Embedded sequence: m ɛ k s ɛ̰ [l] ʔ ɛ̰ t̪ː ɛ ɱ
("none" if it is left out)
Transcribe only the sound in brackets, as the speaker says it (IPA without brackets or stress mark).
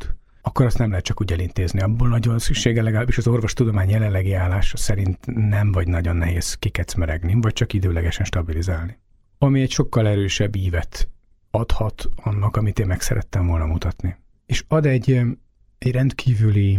ɾ